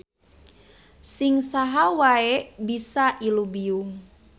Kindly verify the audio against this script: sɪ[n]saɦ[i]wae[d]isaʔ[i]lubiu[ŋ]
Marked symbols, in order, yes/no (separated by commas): no, no, no, yes, yes